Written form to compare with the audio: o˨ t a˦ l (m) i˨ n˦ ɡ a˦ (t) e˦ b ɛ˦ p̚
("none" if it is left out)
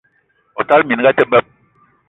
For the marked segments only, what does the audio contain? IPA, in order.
m, t

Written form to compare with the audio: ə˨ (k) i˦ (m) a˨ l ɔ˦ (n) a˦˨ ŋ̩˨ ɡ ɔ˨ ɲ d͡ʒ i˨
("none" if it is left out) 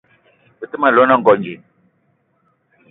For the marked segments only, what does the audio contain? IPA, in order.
t, m, n

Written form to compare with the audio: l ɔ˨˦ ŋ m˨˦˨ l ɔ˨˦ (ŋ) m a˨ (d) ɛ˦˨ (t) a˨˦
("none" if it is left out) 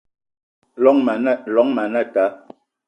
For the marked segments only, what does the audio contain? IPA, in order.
ŋ, n, t

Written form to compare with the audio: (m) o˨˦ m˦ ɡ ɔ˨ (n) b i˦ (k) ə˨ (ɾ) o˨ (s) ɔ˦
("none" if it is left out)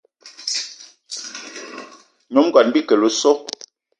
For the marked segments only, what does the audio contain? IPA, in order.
ɲ, n, k, l, s

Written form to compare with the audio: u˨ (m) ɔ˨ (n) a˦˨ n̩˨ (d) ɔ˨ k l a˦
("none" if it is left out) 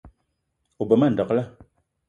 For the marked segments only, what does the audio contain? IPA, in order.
b, m, d

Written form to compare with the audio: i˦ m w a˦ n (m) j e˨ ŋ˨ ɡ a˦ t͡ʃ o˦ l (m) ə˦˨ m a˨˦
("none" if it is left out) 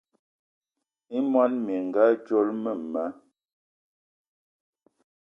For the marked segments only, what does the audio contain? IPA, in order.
m, m

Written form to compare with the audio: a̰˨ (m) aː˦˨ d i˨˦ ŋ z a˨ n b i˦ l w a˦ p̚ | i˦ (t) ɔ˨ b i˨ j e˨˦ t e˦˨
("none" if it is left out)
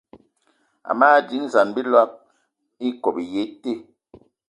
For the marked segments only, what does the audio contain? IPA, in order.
m, k

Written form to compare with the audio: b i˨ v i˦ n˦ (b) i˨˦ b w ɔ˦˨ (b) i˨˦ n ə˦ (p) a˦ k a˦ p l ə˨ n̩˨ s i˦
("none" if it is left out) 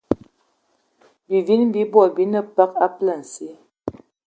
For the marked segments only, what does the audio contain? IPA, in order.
b, b, p

